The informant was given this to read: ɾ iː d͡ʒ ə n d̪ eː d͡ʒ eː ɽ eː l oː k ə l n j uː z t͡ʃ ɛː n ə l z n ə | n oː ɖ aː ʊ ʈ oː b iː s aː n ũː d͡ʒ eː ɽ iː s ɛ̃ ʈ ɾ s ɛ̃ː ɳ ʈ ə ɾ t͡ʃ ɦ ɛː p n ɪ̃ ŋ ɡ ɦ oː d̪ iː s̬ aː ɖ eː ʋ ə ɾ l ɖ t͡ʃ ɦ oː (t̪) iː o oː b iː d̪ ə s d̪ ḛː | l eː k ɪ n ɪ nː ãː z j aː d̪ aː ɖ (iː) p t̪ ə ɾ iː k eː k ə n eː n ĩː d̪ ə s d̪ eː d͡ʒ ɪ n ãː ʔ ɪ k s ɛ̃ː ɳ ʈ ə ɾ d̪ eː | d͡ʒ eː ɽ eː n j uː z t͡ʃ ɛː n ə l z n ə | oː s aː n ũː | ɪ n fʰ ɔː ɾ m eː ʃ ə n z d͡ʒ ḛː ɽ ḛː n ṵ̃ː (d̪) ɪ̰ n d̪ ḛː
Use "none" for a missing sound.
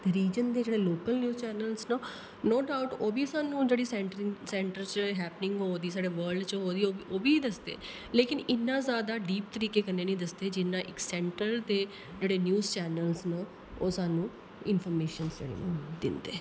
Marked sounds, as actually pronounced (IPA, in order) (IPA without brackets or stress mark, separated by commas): d̪, iː, d̪